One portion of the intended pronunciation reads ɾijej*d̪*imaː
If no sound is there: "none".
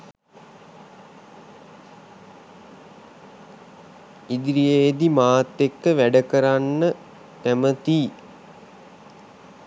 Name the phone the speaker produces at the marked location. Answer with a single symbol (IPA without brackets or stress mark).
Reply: d̪